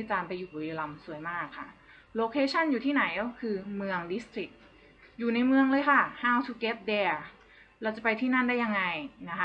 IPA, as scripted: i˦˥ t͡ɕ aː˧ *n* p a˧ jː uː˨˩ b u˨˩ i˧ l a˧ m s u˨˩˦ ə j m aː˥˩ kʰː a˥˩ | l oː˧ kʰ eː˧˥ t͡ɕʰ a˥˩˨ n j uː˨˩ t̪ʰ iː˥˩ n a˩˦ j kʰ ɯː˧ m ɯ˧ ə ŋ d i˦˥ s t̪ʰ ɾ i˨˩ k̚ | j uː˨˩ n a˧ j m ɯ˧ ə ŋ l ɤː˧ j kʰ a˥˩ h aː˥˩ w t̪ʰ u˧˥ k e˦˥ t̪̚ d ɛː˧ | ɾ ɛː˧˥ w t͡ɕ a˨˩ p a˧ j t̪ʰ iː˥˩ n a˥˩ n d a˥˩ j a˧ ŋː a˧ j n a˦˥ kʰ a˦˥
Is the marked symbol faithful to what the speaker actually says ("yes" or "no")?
yes